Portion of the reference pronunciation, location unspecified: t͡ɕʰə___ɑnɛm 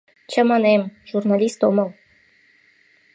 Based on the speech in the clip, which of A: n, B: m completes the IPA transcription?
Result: B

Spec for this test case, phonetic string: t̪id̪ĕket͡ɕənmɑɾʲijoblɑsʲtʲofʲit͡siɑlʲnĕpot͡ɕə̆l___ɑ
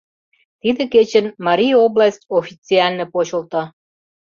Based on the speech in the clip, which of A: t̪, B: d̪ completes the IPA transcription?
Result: A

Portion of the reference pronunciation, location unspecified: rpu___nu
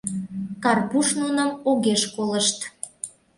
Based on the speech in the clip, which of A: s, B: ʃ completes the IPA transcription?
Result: B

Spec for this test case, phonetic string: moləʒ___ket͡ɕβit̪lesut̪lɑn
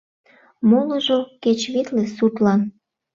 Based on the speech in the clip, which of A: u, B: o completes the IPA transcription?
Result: B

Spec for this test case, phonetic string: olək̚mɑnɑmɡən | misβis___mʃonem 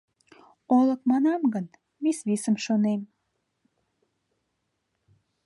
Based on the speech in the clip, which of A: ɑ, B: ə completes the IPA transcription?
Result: B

